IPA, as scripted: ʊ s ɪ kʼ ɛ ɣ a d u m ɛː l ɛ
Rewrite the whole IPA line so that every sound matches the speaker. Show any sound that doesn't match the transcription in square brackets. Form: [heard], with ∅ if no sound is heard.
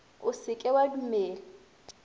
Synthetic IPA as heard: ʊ s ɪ kʼ ɛ [w] a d u m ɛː l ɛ